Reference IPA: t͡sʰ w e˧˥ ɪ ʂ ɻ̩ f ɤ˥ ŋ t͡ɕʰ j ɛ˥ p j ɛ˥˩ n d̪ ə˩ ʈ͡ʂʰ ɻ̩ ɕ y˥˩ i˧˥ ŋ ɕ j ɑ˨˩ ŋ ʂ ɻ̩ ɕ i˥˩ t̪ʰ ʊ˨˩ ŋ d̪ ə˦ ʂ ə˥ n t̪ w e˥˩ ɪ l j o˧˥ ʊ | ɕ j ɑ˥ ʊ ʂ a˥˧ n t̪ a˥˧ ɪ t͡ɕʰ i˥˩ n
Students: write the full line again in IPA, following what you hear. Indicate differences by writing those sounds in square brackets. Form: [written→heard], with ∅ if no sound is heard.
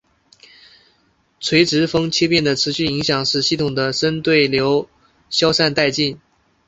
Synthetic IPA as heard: t͡sʰ w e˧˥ ɪ [ʂ→ʈ͡ʂ] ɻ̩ f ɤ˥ ŋ t͡ɕʰ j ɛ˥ p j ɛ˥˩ n d̪ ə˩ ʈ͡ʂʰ ɻ̩ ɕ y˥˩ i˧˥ ŋ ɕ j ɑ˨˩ ŋ ʂ ɻ̩ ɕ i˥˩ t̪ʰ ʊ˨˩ ŋ d̪ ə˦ ʂ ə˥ n t̪ w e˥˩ ɪ l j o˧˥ ʊ | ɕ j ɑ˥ ʊ ʂ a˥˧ n t̪ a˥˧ ɪ [t͡ɕʰ→t͡ɕ] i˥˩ n